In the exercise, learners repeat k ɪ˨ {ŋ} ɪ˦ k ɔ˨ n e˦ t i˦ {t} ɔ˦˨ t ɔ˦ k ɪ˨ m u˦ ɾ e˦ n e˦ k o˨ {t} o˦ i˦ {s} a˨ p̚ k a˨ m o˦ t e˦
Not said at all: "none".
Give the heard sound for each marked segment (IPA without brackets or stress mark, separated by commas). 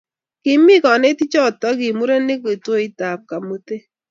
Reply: m, t͡ʃ, t, t